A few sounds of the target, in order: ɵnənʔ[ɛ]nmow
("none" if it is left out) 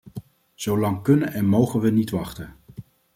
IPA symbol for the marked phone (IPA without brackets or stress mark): ɛ